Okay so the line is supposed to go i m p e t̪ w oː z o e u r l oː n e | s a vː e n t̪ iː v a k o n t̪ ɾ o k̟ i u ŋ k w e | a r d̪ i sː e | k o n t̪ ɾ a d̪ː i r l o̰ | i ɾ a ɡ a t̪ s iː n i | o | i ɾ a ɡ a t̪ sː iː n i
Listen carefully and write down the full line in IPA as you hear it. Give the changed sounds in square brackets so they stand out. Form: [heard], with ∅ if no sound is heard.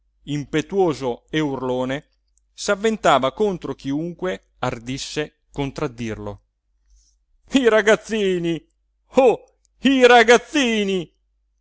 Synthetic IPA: i m p e t̪ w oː z o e u r l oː n e | s a vː e n t̪ [aː] v a k o n t̪ ɾ o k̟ i u ŋ k w e | a r d̪ i sː e | k o n t̪ ɾ a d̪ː i r l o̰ | i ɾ a ɡ a t̪ [sː] iː n i | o | i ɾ a ɡ a t̪ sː iː n i